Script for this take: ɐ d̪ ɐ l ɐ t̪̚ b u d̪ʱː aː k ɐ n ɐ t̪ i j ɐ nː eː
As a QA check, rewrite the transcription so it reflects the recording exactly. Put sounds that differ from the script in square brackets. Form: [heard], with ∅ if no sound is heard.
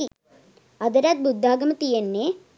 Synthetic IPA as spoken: ɐ d̪ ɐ [ɾ] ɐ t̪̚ b u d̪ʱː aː [ɡ] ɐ [m] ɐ t̪ i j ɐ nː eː